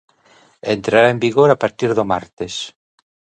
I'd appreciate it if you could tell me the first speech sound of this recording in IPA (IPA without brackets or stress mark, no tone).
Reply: e